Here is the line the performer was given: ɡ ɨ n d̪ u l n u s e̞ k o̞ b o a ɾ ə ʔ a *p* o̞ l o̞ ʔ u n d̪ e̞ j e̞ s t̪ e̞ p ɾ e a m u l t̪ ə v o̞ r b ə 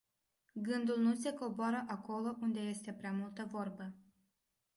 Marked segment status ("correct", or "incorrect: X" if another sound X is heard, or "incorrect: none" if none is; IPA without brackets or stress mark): incorrect: k